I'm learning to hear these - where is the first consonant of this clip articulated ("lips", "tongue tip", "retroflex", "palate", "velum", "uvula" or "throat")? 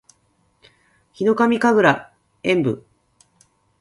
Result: palate